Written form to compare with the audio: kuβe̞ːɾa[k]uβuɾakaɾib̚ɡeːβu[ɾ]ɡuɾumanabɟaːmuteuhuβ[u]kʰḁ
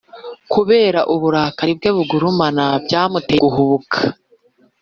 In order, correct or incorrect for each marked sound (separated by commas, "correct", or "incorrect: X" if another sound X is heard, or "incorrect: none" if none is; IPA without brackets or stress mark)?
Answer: incorrect: ʔ, incorrect: none, correct